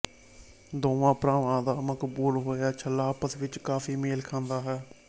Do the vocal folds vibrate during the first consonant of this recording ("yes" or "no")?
yes